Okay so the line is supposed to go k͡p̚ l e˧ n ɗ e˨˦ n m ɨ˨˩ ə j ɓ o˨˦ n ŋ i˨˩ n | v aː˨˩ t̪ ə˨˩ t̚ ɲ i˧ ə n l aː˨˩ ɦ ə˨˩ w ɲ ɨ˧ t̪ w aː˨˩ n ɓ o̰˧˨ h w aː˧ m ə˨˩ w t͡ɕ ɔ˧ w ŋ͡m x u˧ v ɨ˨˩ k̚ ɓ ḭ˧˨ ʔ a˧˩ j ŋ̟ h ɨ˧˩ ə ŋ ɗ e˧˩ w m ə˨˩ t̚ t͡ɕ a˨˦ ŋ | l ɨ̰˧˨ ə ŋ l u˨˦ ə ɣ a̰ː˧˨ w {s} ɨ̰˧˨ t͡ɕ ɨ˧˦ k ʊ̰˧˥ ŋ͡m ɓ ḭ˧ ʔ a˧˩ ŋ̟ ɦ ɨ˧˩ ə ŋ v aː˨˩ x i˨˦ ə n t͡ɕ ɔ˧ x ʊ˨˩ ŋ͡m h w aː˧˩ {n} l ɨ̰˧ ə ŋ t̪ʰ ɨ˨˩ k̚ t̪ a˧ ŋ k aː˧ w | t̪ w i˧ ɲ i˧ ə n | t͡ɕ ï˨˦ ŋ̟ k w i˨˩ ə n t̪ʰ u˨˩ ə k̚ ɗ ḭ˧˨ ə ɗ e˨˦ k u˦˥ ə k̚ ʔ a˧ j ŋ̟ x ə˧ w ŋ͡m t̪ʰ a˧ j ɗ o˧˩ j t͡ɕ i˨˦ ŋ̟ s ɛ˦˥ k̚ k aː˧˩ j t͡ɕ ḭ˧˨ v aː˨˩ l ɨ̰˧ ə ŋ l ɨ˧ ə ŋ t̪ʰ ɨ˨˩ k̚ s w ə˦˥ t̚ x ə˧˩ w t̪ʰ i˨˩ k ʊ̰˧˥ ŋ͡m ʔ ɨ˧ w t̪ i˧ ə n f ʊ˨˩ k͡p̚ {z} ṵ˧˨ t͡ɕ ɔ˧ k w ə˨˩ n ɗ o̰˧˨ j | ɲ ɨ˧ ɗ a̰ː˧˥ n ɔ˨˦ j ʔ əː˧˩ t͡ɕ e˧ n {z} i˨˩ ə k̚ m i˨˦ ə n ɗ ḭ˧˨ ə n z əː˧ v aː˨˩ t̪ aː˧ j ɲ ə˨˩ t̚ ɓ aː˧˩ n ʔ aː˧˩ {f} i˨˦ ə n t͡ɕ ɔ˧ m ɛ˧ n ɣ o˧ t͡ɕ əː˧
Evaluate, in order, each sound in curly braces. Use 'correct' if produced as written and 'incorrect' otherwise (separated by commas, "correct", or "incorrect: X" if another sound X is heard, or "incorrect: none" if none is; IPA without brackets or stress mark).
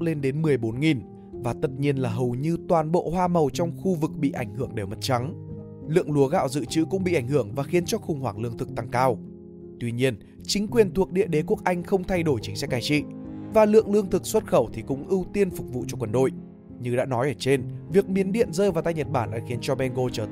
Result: incorrect: z, incorrect: ŋ, incorrect: v, incorrect: v, incorrect: x